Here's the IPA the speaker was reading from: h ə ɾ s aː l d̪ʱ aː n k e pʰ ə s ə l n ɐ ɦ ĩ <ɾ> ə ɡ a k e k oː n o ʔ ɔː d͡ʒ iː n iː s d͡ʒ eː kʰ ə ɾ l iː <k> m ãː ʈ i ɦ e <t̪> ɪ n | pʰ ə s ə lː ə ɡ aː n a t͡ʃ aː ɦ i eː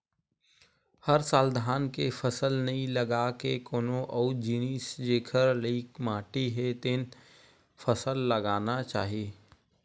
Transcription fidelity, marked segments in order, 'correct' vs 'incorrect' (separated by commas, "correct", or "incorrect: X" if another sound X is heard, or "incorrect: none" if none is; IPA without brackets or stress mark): incorrect: l, correct, correct